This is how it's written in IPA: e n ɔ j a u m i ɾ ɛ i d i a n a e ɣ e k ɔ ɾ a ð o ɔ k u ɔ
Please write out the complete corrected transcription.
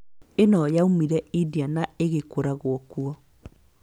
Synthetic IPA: e n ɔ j a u m i ɾ ɛ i d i a n a e ɣ e k o ɾ a ɣ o ɔ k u ɔ